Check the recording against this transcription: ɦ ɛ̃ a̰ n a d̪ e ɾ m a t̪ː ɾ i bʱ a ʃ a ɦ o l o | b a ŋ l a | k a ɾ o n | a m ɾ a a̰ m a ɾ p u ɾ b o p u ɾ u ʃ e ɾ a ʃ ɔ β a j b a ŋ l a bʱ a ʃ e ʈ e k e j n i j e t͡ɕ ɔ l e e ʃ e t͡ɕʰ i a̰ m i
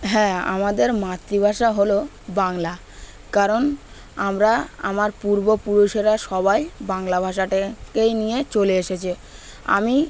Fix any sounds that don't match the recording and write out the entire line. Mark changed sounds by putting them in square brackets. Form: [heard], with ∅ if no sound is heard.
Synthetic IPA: ɦ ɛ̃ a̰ [m] a d̪ e ɾ m a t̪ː ɾ i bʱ a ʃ a ɦ o l o | b a ŋ l a | k a ɾ o n | a m ɾ a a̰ m a ɾ p u ɾ b o p u ɾ u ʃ e ɾ a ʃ ɔ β a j b a ŋ l a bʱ a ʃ [a] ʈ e k e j n i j e t͡ɕ [o] l e e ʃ e t͡ɕʰ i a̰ m i